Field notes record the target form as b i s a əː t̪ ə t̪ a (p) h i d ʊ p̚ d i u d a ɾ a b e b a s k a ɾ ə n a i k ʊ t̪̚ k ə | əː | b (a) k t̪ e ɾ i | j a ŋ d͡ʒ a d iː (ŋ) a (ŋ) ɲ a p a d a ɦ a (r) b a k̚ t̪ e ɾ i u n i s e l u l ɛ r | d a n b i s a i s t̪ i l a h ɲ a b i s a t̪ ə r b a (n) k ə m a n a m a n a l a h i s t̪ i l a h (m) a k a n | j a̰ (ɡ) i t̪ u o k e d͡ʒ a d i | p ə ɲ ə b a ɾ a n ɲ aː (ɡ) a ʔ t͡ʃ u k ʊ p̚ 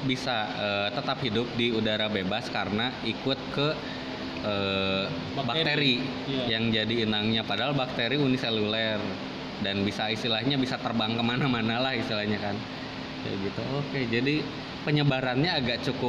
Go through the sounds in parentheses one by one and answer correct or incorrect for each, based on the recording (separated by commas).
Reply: correct, correct, incorrect, correct, incorrect, incorrect, incorrect, correct, correct